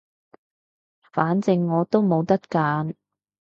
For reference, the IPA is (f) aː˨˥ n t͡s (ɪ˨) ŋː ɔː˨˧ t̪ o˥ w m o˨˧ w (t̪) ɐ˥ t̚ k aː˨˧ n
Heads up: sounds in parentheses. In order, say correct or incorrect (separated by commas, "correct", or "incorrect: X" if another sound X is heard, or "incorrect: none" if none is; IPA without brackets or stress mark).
correct, correct, correct